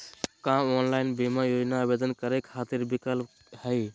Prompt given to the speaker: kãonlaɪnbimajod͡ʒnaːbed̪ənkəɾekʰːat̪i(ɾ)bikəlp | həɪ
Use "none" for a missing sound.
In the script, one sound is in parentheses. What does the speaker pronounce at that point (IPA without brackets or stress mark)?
ɾ